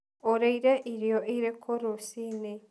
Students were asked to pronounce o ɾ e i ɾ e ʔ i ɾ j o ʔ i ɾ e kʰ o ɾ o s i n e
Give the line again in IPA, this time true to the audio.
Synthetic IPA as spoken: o ɾ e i ɾ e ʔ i ɾ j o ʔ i ɾ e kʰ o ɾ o s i n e